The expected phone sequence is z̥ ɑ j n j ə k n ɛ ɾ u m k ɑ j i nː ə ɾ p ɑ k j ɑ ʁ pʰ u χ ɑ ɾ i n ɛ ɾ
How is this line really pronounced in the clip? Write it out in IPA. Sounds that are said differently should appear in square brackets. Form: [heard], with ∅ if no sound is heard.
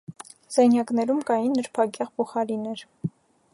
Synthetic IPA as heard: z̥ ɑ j n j [ɑ] k n ɛ ɾ u m k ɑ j i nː ə ɾ [pʰ] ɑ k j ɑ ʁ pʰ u χ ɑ ɾ i n ɛ ɾ